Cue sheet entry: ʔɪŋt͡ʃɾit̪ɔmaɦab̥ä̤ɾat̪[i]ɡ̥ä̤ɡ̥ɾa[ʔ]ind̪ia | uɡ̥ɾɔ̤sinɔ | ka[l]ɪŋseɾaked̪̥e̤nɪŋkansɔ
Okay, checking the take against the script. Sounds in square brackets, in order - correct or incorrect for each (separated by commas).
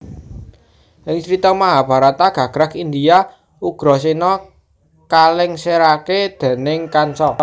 incorrect, incorrect, correct